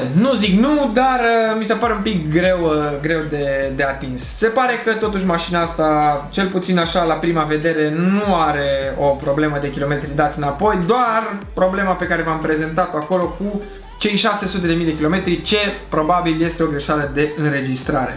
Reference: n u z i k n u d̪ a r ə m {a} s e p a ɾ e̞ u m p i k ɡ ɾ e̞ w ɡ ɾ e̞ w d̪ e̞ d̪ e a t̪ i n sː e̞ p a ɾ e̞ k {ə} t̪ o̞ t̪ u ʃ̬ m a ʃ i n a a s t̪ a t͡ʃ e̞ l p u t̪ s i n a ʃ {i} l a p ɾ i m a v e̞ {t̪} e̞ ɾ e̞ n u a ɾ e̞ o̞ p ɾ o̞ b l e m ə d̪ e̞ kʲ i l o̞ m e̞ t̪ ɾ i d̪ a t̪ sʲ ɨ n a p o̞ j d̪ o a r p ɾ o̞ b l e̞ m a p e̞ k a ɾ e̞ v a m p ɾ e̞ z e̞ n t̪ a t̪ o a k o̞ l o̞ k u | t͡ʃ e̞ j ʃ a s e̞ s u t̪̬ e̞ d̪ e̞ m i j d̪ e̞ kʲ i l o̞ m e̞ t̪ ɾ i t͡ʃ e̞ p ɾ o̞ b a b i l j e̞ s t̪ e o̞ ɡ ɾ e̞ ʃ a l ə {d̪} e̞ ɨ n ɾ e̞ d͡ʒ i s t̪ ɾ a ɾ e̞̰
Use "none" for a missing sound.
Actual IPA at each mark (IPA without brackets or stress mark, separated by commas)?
i, ə, a, d̪, d̪